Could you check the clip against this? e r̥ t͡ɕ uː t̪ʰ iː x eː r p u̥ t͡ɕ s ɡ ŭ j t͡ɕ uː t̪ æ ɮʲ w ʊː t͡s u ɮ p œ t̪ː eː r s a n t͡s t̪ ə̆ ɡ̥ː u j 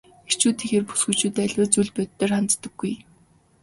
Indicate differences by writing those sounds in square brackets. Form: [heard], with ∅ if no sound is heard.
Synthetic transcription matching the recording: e r̥ t͡ɕ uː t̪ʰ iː x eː r p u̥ [∅] s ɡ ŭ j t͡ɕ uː t̪ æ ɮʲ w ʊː t͡s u ɮ p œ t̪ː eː r [χ] a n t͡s t̪ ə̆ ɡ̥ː u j